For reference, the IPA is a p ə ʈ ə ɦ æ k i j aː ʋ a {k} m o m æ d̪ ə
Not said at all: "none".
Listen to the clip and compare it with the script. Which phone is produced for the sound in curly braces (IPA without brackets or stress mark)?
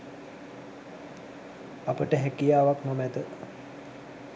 k